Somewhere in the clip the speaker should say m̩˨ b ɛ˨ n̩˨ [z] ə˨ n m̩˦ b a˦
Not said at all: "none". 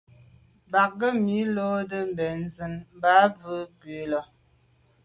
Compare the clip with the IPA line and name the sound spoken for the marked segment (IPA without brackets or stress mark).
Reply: z